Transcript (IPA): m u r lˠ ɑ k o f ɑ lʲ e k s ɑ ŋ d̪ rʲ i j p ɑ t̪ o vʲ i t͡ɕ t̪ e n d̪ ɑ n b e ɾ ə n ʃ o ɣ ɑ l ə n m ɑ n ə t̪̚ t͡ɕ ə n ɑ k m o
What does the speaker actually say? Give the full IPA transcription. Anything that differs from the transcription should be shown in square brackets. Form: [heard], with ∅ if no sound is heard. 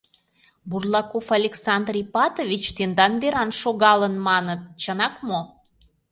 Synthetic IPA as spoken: [b] u r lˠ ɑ k o f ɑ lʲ e k s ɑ [n] d̪ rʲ i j p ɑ t̪ o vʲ i t͡ɕ t̪ e n d̪ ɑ n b e ɾ [ɑ] n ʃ o ɣ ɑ l ə n m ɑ n ə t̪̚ t͡ɕ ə n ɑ k m o